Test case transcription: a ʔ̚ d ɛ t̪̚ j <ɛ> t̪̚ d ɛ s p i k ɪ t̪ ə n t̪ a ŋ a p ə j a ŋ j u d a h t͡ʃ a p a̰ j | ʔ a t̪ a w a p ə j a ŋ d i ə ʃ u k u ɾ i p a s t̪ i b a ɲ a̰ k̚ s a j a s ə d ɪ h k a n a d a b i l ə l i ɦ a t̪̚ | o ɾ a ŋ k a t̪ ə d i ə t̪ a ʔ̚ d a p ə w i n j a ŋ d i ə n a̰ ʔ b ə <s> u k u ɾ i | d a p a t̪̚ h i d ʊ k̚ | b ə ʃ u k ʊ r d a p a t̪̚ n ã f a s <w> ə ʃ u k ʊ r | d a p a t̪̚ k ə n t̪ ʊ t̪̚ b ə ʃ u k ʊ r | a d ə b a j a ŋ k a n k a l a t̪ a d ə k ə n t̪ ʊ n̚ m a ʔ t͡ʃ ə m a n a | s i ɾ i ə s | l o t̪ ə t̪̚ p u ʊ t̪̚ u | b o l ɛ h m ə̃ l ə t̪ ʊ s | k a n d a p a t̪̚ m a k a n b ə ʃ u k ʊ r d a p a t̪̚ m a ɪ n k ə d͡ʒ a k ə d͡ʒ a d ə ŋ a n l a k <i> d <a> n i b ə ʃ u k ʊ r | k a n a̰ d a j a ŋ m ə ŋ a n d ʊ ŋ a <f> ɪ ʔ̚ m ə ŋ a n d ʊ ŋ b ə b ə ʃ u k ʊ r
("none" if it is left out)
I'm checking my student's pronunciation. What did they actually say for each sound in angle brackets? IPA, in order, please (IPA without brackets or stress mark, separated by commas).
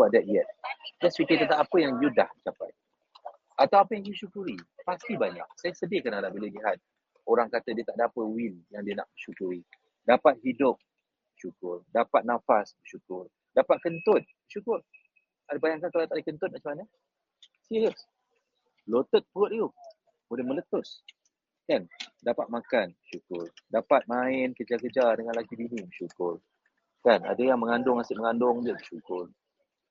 ɛ, ʃ, b, i, i, s